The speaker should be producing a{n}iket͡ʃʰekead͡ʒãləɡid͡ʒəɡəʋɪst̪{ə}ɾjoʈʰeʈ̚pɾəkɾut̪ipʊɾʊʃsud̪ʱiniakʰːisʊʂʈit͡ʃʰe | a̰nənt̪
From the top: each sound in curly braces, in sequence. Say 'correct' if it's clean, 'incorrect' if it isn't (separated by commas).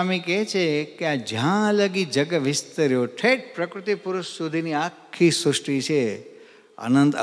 incorrect, correct